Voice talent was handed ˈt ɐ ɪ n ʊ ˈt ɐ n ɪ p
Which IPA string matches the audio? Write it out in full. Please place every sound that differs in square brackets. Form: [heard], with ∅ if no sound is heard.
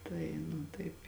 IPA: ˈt ɐ ɪ n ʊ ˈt ɐ [∅] ɪ p